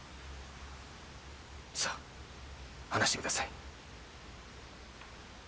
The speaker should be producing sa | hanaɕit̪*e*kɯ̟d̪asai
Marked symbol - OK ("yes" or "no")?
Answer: yes